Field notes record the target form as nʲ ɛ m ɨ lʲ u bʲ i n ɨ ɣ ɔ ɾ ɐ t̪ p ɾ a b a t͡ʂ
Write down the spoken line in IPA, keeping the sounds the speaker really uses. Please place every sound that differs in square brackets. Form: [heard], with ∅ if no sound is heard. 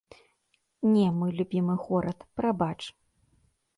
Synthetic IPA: nʲ ɛ m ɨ lʲ u bʲ i [m] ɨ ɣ ɔ ɾ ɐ t̪ p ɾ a b a t͡ʂ